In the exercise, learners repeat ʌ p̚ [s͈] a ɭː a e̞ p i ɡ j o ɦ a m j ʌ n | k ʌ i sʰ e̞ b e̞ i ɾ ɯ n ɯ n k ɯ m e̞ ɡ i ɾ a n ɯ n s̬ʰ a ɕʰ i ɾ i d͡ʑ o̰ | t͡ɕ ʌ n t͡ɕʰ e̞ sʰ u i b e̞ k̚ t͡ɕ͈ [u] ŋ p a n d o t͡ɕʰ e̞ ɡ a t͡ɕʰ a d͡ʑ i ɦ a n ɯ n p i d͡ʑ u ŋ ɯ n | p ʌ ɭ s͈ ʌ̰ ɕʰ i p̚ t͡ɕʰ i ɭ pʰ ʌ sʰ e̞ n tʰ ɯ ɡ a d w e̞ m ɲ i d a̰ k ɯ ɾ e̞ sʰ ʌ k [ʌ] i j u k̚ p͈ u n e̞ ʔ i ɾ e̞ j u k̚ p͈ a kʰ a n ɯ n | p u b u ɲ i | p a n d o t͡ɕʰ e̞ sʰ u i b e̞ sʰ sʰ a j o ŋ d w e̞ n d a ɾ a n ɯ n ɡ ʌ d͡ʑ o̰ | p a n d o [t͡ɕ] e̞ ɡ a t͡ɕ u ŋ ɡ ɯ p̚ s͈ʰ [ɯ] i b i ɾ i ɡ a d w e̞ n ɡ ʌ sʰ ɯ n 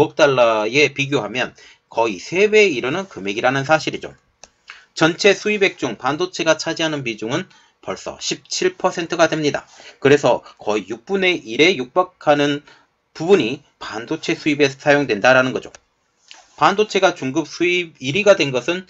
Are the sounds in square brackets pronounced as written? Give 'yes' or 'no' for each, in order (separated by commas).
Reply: no, yes, yes, no, no